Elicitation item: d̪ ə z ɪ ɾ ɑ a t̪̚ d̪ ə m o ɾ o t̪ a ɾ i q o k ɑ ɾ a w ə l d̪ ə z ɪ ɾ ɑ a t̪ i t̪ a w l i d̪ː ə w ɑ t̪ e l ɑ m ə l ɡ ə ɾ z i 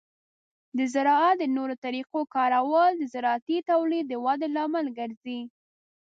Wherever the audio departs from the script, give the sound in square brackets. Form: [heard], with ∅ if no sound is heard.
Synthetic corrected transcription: d̪ ə z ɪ ɾ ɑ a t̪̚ d̪ ə [n] o ɾ o t̪ a ɾ i q o k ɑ ɾ a w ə l d̪ ə z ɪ ɾ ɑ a t̪ i t̪ a w l i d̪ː ə w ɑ [d̪] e l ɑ m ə l ɡ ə ɾ z i